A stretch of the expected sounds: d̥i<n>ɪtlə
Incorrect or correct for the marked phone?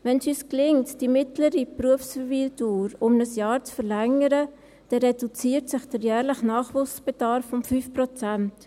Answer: incorrect: m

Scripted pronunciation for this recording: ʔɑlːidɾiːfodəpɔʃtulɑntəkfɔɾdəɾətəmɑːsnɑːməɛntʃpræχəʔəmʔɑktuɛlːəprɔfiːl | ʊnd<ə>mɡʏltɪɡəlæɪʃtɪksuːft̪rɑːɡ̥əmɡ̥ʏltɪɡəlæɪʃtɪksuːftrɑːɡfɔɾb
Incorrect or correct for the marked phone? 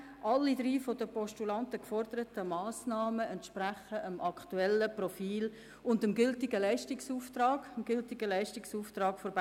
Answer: correct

